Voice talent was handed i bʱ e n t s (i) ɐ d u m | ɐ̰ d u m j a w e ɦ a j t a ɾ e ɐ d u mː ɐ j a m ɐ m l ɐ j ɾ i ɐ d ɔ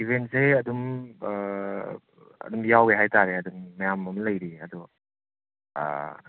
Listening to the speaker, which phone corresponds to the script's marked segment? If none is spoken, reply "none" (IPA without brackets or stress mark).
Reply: e